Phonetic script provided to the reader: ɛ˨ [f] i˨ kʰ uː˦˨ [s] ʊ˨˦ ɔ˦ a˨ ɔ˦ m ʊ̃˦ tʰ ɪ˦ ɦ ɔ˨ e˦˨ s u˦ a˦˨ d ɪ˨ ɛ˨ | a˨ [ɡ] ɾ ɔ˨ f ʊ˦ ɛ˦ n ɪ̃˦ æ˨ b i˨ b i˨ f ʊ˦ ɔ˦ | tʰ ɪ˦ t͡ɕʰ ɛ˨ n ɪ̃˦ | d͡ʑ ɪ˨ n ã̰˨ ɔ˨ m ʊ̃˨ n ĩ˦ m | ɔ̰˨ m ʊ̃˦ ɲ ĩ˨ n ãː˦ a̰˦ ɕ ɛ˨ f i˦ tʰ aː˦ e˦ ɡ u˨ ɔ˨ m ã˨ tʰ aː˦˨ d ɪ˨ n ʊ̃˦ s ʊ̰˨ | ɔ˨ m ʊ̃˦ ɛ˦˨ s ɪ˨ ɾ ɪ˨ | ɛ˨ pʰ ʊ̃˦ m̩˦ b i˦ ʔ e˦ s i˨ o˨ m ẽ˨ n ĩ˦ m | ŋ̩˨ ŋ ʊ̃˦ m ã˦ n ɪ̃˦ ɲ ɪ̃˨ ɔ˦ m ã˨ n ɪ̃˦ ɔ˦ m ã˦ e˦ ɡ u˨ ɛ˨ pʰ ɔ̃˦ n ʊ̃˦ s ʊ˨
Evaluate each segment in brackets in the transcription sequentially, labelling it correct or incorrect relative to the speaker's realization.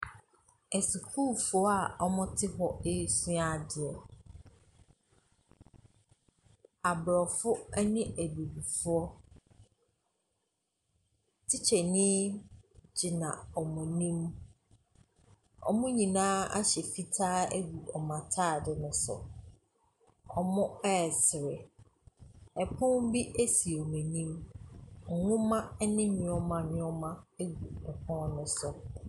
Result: incorrect: s, incorrect: f, incorrect: b

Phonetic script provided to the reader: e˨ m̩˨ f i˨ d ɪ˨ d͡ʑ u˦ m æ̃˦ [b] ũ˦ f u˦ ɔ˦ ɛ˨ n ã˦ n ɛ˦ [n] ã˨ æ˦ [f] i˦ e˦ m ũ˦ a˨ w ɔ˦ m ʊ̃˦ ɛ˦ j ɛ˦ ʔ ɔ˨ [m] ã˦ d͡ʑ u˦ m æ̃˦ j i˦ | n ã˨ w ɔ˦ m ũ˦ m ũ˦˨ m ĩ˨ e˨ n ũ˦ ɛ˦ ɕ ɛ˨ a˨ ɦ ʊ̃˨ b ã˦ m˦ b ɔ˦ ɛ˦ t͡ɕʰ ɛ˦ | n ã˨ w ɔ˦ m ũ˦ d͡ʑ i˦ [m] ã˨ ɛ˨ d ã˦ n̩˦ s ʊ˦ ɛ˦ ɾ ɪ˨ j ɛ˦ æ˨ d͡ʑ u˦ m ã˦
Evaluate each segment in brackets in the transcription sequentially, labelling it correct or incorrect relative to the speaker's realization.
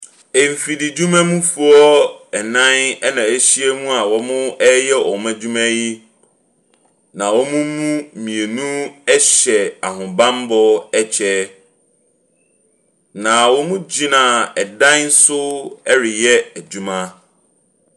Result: incorrect: m, correct, incorrect: ɕ, correct, incorrect: n

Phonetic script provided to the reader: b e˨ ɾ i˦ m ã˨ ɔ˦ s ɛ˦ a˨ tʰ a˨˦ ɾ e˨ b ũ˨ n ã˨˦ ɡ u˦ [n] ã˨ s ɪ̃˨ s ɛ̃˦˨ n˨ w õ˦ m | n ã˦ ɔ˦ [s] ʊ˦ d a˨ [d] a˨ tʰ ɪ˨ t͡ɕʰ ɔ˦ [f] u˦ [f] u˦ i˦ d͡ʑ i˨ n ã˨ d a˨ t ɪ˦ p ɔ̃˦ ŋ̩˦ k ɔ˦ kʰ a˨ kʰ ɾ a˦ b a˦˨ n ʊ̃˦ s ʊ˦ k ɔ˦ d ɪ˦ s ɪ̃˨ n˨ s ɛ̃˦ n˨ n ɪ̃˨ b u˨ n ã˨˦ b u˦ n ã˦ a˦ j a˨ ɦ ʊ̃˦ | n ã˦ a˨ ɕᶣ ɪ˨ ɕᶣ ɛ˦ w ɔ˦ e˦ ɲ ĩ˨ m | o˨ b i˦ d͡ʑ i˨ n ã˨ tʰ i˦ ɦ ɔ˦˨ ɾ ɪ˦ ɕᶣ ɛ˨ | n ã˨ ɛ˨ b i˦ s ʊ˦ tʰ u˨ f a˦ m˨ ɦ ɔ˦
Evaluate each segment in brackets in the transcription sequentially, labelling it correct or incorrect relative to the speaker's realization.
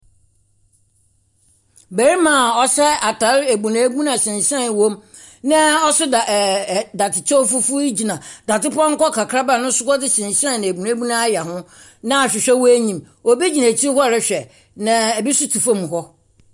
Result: correct, correct, correct, correct, correct

